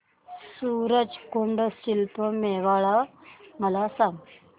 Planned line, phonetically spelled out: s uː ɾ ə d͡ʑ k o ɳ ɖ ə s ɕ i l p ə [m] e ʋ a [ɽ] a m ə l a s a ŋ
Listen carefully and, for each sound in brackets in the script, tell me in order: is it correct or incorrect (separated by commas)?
correct, incorrect